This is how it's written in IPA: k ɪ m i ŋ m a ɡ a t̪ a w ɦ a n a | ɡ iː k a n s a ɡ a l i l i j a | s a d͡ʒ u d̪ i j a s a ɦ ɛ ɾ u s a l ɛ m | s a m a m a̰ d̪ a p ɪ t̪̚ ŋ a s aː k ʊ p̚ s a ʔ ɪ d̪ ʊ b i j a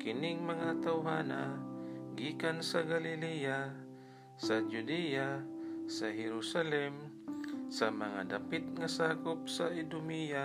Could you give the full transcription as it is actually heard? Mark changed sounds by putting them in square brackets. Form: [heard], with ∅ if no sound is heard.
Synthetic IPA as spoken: k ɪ [n] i ŋ m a [ŋ] a t̪ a w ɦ a n a | ɡ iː k a n s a ɡ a l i l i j a | s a d͡ʒ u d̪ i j a s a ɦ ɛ ɾ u s a l ɛ m | s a m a [ŋ] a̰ d̪ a p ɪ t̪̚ ŋ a s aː k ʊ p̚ s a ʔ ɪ d̪ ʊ [m] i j a